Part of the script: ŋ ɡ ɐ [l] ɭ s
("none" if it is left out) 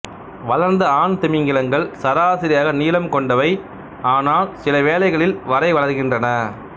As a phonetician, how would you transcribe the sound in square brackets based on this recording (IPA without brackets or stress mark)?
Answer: none